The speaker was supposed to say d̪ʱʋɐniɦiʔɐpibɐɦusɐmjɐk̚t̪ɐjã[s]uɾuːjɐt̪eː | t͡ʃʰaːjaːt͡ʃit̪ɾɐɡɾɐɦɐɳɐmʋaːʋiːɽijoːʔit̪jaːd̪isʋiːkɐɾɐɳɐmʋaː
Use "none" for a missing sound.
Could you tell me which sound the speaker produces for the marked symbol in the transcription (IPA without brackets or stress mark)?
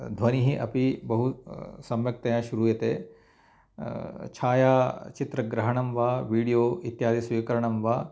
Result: ʃ